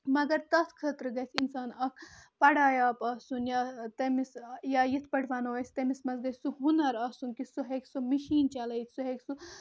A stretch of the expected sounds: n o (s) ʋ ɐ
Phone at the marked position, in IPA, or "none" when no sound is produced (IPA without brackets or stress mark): none